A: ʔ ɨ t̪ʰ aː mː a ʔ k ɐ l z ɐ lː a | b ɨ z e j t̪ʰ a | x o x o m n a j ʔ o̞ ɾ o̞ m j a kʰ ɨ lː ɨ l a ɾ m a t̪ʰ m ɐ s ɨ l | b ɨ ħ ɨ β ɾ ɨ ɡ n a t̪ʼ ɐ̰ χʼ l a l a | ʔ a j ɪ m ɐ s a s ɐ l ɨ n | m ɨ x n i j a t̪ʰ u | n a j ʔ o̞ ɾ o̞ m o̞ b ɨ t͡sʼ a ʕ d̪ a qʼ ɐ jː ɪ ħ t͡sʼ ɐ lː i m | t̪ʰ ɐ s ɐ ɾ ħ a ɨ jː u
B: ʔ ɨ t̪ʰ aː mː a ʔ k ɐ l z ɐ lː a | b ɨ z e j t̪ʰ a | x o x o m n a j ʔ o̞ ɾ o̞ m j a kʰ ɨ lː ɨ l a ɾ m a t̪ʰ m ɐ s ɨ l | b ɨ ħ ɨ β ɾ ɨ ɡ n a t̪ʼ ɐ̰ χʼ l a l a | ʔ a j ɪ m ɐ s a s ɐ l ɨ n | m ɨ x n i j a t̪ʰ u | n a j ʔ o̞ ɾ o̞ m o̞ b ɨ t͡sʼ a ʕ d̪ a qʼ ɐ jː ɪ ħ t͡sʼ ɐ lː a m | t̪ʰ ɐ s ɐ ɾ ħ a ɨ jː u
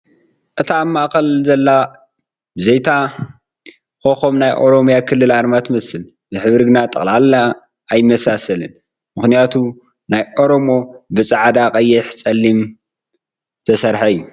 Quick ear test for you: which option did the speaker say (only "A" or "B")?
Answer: A